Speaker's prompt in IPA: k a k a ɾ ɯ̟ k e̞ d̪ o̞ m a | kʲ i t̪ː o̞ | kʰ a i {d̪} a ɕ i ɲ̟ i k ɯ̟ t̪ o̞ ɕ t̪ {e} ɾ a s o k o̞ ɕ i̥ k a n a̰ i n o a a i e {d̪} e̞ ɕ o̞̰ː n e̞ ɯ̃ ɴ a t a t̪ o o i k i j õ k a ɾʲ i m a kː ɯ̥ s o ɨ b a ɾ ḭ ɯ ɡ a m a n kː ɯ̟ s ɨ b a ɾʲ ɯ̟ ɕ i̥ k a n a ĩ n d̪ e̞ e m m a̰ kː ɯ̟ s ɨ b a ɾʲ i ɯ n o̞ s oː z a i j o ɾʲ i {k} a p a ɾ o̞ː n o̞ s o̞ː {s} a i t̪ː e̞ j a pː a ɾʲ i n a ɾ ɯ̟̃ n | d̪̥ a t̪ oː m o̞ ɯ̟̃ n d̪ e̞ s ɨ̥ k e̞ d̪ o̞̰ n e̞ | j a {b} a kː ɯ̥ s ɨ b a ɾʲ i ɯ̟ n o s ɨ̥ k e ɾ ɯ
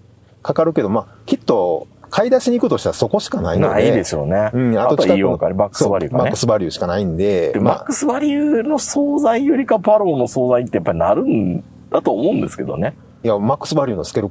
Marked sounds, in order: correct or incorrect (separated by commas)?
correct, incorrect, correct, correct, incorrect, incorrect